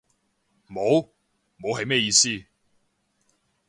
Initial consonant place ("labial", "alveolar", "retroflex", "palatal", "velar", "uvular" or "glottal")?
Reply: labial